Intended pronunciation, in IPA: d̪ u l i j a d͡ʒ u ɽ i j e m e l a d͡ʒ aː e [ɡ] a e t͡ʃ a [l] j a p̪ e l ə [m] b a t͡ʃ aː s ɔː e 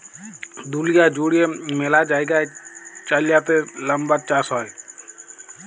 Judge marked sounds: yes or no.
yes, yes, yes

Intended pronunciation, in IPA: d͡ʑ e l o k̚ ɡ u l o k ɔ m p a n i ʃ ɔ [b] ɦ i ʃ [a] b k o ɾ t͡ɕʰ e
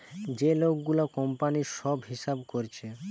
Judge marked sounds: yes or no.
yes, yes

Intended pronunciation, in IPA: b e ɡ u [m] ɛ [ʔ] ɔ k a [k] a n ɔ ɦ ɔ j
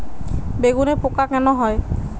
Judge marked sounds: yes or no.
no, no, yes

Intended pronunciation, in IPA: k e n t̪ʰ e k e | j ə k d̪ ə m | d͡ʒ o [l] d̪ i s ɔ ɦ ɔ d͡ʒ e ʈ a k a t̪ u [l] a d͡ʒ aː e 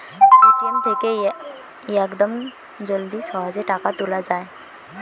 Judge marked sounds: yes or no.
yes, yes

